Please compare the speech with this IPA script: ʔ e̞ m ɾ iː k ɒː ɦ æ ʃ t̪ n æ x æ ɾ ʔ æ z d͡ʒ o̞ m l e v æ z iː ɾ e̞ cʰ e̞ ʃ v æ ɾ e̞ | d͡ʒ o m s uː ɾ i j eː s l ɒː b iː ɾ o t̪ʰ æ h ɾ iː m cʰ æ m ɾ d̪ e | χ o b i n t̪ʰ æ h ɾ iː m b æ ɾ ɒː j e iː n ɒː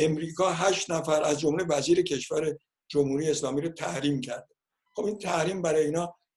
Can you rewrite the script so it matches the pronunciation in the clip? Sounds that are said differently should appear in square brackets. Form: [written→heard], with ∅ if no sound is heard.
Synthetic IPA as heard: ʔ e̞ m ɾ iː k ɒː ɦ æ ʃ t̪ n æ [x→f] æ ɾ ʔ æ z d͡ʒ o̞ m l e v æ z iː ɾ e̞ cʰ e̞ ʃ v æ ɾ e̞ | d͡ʒ o m [s→h] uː ɾ i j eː s l ɒː [b→m] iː ɾ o t̪ʰ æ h ɾ iː m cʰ æ [m→∅] ɾ d̪ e | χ o b i n t̪ʰ æ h ɾ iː m b æ ɾ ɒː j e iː n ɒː